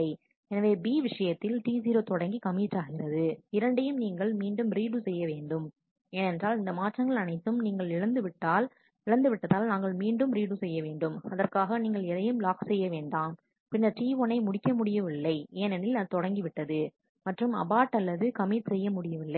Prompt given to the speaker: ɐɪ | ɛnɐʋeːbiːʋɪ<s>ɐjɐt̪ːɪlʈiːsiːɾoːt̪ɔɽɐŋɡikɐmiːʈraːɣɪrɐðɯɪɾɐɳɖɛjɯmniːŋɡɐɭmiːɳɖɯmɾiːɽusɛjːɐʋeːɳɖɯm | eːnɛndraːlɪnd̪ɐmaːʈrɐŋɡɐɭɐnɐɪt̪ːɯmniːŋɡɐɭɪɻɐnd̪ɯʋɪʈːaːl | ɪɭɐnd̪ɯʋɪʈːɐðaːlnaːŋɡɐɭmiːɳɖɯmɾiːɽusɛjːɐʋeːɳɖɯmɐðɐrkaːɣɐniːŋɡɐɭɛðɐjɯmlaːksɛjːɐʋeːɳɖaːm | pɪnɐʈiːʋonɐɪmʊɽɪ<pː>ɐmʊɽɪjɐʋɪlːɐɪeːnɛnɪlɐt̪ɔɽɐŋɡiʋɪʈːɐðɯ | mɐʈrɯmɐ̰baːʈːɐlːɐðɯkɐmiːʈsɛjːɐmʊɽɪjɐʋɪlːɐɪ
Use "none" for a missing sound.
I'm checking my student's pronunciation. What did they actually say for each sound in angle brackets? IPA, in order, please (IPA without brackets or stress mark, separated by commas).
ʂ, kː